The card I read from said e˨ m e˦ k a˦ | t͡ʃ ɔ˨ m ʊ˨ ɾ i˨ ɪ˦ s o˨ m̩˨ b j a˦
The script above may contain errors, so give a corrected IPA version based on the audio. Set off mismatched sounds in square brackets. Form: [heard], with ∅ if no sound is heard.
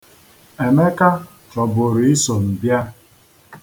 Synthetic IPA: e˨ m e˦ k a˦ | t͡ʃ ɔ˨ [b] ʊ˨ ɾ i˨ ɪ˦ s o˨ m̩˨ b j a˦